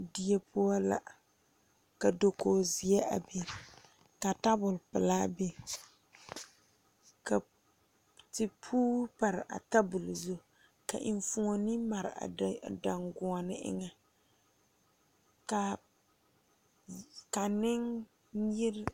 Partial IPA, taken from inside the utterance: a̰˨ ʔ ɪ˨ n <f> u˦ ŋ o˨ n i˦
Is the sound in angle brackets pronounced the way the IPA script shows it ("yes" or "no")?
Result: yes